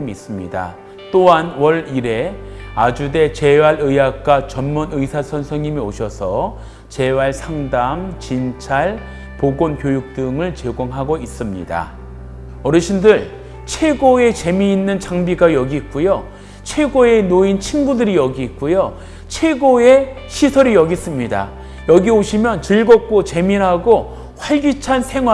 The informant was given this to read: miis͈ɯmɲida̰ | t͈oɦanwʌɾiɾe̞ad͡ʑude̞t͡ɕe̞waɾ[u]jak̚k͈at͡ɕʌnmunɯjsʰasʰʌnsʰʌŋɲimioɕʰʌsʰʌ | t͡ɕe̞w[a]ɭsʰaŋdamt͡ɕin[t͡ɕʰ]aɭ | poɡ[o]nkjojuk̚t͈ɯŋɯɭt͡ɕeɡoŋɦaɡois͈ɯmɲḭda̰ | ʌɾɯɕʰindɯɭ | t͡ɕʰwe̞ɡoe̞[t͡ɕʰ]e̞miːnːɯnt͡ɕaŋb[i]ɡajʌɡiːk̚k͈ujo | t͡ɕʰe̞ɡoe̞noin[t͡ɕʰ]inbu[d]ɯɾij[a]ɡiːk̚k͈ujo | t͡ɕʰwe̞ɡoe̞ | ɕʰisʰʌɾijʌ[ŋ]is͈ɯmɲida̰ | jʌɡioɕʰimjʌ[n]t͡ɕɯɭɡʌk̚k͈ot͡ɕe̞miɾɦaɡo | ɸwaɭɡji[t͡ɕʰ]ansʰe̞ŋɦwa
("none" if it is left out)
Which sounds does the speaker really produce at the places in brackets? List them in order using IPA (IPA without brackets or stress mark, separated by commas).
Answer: ɯ, a, t͡ɕʰ, o, t͡ɕ, i, t͡ɕʰ, d, ʌ, ɡ, n, t͡ɕʰ